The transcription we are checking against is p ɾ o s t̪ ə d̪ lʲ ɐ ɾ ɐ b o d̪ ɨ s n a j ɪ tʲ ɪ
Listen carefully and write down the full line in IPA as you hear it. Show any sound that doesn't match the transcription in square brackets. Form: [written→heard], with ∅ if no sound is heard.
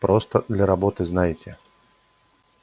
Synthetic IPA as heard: p ɾ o s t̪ ə d̪ lʲ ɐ ɾ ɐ b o [d̪→t̪] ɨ [s→z] n a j ɪ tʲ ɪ